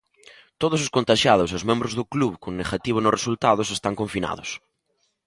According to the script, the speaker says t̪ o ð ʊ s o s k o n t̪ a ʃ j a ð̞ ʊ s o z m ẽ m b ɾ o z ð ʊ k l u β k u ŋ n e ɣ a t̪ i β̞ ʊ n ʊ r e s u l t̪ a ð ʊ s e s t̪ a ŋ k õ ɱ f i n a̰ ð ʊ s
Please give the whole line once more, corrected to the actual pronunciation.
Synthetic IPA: t̪ o ð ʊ s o s k o n t̪ a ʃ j a ð̞ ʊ s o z m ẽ m b ɾ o z ð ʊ k l u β k o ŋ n e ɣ a t̪ i β̞ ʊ n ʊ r e s u l t̪ a ð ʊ s e s t̪ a ŋ k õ ɱ f i n a̰ ð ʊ s